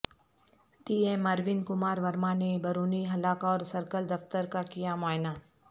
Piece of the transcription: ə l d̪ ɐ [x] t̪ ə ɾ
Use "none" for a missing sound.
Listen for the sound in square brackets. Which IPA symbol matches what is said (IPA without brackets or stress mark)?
f